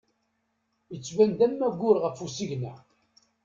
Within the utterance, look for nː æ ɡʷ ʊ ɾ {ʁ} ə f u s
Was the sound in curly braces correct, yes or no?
yes